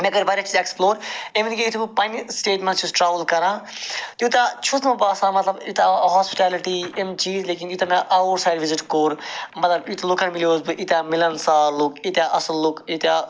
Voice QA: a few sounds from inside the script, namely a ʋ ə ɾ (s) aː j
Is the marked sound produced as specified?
yes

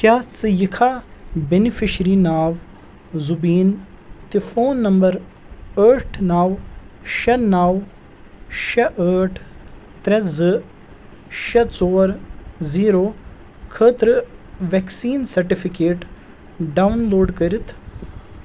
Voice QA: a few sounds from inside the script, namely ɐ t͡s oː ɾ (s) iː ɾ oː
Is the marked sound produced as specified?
no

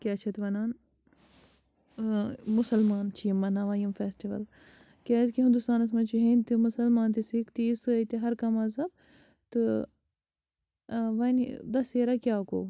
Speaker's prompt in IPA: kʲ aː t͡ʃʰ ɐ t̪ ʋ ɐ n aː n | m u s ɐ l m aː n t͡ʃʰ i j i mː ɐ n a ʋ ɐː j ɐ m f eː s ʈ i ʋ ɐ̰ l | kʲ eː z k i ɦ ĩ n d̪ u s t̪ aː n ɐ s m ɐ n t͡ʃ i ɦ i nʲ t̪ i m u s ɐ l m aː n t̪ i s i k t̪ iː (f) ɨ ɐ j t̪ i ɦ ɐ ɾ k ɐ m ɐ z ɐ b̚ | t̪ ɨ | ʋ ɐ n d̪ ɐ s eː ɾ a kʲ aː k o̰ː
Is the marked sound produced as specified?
no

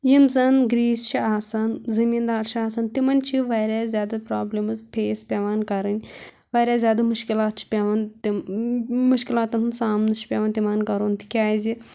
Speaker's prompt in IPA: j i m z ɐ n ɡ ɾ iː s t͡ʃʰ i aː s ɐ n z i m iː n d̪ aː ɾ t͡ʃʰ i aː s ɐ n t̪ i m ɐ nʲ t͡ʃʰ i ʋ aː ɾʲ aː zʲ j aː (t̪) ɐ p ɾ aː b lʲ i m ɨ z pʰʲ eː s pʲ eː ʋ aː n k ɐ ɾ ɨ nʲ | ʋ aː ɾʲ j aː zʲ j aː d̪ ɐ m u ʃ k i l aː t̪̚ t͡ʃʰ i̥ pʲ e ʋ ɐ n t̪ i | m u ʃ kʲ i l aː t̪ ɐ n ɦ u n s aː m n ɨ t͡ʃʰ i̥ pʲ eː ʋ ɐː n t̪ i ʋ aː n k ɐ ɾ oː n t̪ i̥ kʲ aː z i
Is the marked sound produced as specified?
no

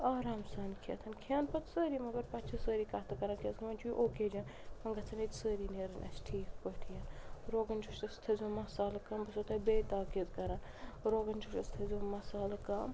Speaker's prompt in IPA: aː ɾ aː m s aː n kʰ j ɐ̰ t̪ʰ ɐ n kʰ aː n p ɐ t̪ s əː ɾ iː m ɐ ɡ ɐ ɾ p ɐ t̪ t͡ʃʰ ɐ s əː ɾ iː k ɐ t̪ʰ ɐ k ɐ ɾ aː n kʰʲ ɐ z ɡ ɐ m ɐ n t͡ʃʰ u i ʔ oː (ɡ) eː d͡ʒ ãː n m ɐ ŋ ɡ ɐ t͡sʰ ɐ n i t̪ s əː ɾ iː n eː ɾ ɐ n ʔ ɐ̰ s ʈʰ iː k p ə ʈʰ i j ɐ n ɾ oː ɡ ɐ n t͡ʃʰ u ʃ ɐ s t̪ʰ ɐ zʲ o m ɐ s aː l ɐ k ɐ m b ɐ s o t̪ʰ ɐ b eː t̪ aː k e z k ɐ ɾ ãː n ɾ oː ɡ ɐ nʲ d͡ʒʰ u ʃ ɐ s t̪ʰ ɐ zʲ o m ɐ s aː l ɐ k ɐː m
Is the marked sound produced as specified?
no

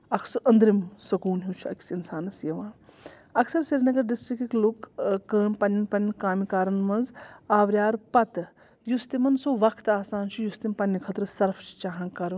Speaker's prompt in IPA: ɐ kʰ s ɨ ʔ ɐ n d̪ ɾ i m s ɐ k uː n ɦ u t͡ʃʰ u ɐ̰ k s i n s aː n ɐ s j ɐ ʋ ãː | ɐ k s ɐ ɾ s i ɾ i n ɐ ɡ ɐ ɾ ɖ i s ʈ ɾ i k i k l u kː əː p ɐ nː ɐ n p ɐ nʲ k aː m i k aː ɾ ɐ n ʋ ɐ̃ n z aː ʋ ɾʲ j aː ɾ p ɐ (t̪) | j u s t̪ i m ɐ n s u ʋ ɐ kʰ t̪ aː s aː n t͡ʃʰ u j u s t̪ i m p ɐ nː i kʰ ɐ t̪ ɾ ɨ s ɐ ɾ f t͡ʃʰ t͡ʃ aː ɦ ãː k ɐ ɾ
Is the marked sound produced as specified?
yes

